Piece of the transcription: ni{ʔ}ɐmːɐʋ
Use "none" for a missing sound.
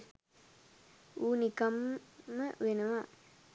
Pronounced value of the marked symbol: k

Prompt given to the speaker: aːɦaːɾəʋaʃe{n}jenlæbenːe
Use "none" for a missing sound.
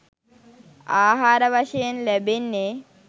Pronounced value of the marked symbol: none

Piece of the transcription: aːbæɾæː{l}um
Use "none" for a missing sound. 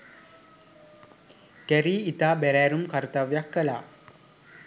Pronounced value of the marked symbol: ɾ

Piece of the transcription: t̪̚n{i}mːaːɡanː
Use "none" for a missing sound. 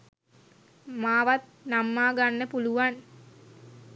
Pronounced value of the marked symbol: a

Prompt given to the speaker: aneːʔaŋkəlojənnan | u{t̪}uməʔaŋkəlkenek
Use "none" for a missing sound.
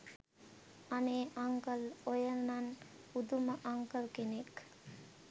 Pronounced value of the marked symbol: d̪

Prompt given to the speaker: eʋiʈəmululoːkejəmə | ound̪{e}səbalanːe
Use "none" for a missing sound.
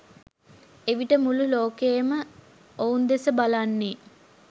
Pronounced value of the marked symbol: e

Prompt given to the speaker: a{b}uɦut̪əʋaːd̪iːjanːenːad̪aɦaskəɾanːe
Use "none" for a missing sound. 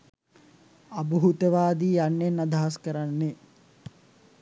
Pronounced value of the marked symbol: b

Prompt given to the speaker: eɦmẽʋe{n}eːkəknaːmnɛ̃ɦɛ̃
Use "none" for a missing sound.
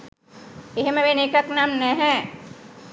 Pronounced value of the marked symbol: n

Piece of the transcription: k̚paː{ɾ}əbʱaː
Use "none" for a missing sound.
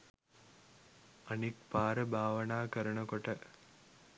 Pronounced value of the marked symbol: ɾ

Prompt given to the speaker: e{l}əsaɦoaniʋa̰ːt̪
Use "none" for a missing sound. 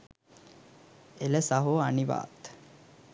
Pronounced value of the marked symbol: l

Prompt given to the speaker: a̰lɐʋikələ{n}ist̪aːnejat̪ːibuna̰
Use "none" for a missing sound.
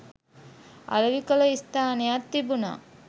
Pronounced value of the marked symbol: none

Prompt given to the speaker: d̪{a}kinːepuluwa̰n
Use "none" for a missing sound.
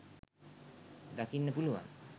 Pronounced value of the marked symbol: a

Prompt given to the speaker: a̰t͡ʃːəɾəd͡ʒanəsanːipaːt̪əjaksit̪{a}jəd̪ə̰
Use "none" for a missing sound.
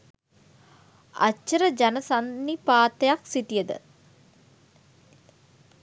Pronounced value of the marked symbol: i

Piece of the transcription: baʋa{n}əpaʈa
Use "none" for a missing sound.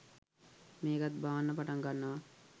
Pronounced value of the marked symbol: nː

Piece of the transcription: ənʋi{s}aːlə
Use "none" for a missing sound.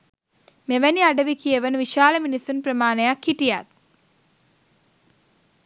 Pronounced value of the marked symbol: ʃ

